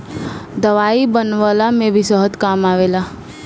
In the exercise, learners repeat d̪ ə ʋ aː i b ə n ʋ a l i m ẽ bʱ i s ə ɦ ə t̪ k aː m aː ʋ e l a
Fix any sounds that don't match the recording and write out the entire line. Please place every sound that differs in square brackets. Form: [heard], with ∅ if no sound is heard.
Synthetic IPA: d̪ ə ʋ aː i b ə n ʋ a l [a] m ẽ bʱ i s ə ɦ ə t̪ k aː m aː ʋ e l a